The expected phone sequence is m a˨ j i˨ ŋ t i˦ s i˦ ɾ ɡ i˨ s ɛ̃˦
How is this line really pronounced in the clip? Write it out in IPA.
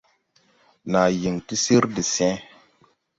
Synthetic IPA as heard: n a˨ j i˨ ŋ t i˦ s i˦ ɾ d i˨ s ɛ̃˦